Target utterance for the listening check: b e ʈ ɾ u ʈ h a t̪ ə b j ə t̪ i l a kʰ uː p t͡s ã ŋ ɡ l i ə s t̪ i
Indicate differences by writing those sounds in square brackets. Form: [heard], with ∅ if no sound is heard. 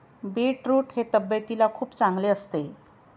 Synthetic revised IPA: b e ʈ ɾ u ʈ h [e] t̪ ə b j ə t̪ i l a kʰ uː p t͡s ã ŋ ɡ l [e] ə s t̪ [e]

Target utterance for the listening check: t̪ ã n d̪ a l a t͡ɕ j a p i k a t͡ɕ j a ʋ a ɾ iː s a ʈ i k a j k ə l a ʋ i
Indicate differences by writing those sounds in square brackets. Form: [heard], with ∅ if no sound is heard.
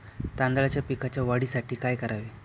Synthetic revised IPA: t̪ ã n d̪ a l a t͡ɕ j a p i k a t͡ɕ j a ʋ a [ɽ] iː s a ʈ [iː] k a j k ə [ɾ] a ʋ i

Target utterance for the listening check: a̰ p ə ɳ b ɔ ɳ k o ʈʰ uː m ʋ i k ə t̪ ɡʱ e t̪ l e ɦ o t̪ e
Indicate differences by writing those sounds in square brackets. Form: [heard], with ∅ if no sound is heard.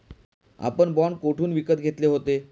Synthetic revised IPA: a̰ p ə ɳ b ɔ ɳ k o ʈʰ uː [n] ʋ i k ə t̪ ɡʱ e t̪ l e ɦ o t̪ e

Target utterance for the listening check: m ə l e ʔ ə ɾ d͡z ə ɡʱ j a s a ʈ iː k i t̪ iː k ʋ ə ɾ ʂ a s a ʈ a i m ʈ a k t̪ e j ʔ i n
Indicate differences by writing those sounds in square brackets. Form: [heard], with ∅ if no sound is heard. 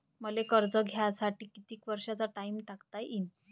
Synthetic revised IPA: m ə l e [k] ə ɾ d͡z ə ɡʱ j a s a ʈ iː k i t̪ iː k ʋ ə ɾ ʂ a [t͡s] a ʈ a i m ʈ a k t̪ [a] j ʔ i n

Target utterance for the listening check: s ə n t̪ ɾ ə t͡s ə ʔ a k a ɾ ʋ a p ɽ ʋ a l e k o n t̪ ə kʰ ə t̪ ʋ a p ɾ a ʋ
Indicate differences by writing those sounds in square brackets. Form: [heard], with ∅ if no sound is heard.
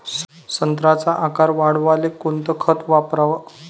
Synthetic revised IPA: s ə n t̪ ɾ [a] t͡s [a] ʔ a k a ɾ ʋ a [∅] ɽ ʋ a l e k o n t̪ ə kʰ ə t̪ ʋ a p ɾ a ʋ

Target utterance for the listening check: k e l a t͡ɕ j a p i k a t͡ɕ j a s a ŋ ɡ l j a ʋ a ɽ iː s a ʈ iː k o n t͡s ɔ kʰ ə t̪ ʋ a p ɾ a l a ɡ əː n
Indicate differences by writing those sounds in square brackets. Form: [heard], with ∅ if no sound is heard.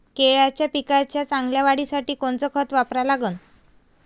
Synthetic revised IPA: k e [ɭ] a t͡ɕ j a p i k a t͡ɕ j a [t͡s] a ŋ ɡ l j a ʋ a ɽ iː s a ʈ iː k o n t͡s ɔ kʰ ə t̪ ʋ a p ɾ a l a ɡ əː n

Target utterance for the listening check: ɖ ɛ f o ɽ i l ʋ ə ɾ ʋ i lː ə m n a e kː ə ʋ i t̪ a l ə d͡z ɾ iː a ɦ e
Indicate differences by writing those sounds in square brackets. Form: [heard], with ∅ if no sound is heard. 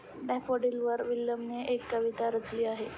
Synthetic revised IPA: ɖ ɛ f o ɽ i l ʋ ə ɾ ʋ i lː ə m n [e] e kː ə ʋ i t̪ a [ɾ] ə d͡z [l] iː a ɦ e

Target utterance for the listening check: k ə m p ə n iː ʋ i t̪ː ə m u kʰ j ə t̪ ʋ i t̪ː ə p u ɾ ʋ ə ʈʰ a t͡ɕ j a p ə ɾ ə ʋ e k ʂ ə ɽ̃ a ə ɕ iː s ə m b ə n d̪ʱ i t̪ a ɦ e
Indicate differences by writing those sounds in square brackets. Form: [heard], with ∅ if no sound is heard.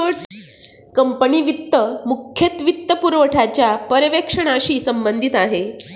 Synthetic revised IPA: k ə m p ə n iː ʋ i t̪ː ə m u kʰ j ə t̪ ʋ i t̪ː ə p u ɾ ʋ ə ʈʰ a t͡ɕ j a p ə ɾ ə ʋ e k ʂ ə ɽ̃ a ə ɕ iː s ə m b ə n d̪ʱ i t̪ a ɦ e

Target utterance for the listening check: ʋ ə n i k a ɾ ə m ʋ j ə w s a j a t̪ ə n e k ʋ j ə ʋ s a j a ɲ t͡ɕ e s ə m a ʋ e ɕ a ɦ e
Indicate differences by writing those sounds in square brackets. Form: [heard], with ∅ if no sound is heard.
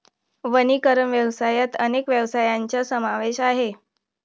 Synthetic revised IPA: ʋ ə n i k [ə] ɾ ə m ʋ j ə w s a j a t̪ ə n e k ʋ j ə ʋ s a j a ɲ t͡ɕ [a] s ə m a ʋ e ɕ a ɦ e

